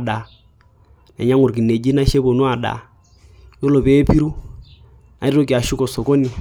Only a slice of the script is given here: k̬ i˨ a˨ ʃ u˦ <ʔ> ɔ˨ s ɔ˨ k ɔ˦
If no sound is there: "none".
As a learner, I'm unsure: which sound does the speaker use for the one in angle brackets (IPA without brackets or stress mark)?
k